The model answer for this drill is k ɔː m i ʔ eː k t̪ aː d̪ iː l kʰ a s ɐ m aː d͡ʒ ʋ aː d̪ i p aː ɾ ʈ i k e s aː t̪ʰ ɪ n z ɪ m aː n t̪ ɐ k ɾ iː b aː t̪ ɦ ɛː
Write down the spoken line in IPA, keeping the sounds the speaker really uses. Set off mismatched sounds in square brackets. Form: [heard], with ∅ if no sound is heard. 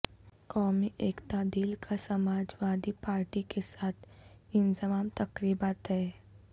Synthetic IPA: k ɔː m i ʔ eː k t̪ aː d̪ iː l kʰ a s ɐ m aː d͡ʒ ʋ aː d̪ i p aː ɾ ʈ i k e s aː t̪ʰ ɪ n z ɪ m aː [m] t̪ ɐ k ɾ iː b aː t̪ ɦ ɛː